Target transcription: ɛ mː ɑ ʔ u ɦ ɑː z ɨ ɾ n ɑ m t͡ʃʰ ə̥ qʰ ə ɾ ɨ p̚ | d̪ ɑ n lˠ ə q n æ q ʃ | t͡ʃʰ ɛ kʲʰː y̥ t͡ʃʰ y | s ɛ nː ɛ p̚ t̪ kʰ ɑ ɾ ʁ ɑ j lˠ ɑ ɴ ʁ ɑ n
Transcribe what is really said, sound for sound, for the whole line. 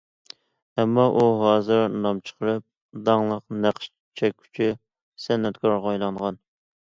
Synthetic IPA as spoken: ɛ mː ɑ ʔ u ɦ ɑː z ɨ ɾ n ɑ m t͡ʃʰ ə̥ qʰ ə ɾ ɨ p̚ | d̪ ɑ ŋ lˠ ə q n æ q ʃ | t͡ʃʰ ɛ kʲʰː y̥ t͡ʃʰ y | s ɛ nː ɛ t̪ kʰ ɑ ɾ ʁ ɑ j lˠ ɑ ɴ ʁ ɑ n

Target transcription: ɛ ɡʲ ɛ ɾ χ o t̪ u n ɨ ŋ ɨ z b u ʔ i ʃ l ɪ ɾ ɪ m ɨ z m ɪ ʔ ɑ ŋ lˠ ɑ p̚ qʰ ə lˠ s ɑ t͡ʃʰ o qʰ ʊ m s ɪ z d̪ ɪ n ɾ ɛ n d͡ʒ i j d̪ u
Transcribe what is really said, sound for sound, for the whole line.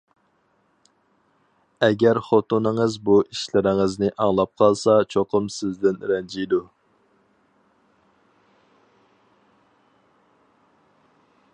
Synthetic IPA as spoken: ɛ ɡʲ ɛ ɾ χ o t̪ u n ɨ ŋ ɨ z b u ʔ i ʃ l ɪ ɾ ɪ ŋ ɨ z n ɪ ʔ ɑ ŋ lˠ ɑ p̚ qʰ ɑ lˠ s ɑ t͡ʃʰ o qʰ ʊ m s ɪ z d̪ ɪ n ɾ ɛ n d͡ʒ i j d̪ u

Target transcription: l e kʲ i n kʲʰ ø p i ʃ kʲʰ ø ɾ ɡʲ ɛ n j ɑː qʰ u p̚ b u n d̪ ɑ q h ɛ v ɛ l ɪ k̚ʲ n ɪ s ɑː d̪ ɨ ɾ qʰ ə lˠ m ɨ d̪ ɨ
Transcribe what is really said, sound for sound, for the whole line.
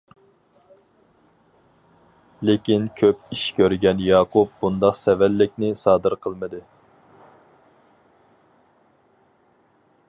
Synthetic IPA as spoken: l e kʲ i n kʲʰ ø p i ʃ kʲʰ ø ɾ ɡʲ ɛ n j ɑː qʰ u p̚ b u n d̪ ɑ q s ɛ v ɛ lː ɪ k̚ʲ n ɪ s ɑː d̪ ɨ ɾ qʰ ə lˠ m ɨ d̪ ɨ

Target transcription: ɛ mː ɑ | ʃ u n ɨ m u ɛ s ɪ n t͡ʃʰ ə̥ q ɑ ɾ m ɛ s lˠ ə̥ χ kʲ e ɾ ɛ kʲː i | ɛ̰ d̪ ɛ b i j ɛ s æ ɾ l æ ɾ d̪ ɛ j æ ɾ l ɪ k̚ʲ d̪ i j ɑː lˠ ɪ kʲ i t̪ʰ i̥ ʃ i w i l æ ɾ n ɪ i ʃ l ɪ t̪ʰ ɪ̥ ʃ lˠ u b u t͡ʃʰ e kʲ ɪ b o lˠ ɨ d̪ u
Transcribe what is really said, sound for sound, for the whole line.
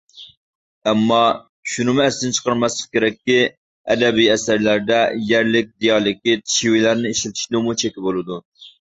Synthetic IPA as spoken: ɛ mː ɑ | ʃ u n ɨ m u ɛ s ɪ n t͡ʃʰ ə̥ q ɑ ɾ m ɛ s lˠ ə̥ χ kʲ e ɾ ɛ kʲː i | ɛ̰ d̪ ɛ b i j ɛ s æ ɾ l æ ɾ d̪ ɛ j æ ɾ l ɪ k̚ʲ d̪ i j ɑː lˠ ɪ kʲ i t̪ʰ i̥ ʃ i w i l æ ɾ n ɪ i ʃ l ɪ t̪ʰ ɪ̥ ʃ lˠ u m u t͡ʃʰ e kʲ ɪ b o lˠ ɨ d̪ u

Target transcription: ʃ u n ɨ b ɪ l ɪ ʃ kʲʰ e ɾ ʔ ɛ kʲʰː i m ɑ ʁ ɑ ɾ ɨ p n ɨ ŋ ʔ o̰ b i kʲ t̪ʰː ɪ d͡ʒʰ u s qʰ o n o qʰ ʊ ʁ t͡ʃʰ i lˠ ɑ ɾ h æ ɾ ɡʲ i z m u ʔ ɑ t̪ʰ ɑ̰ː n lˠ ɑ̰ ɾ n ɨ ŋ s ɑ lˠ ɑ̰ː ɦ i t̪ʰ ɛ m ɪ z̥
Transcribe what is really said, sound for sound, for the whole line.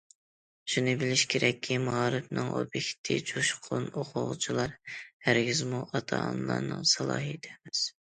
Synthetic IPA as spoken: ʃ u n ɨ b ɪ l ɪ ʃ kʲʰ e ɾ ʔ ɛ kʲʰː i m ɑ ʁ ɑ ɾ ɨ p n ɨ ŋ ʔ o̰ b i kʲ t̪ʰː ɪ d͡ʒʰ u ʃ qʰ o n o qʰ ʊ ʁ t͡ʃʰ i lˠ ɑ ɾ h æ ɾ ɡʲ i z m u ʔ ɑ t̪ʰ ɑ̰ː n lˠ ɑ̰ ɾ n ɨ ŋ s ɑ lˠ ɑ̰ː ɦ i t̪ʰ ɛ m ɪ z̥

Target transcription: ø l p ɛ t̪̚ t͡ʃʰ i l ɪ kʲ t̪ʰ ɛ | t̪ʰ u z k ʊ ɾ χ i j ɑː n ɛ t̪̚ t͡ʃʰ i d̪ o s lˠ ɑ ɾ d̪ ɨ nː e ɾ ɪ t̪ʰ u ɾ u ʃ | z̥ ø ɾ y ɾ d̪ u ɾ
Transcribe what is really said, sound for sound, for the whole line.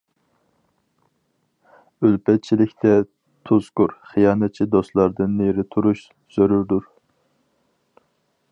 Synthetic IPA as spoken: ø l p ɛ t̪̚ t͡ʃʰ i l ɪ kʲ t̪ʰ ɛ | t̪ʰ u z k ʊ ɾ χ i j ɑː n ɛ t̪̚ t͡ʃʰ i d̪ o s lˠ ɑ ɾ d̪ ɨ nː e ɾ ɪ t̪ʰ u ɾ u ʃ | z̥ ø ɾ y ɾ d̪ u ɾ

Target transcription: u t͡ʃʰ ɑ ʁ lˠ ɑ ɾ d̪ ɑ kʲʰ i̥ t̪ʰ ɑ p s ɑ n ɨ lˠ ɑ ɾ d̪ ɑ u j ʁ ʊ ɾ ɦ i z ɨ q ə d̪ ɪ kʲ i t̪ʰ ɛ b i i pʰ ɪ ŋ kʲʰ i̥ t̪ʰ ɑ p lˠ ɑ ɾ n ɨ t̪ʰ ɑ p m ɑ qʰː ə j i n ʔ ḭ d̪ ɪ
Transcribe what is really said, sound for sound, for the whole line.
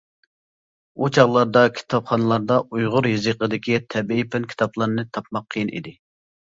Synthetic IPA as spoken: u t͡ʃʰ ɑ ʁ lˠ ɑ ɾ d̪ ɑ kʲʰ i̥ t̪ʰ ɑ p χ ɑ n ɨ lˠ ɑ ɾ d̪ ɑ u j ʁ ʊ ɾ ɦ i z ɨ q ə d̪ ɪ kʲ i t̪ʰ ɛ b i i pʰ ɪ n kʲʰ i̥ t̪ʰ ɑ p lˠ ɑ ɾ n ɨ t̪ʰ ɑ p m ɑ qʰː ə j i n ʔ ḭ d̪ ɪ

